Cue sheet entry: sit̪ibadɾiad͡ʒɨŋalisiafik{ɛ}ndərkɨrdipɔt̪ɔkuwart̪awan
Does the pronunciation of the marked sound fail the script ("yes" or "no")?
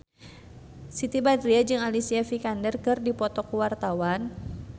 yes